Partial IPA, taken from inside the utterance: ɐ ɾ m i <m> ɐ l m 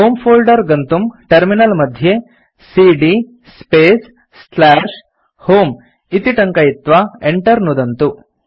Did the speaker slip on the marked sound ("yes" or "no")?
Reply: yes